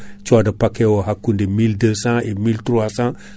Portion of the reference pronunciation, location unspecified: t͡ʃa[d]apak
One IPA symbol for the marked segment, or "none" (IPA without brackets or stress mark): d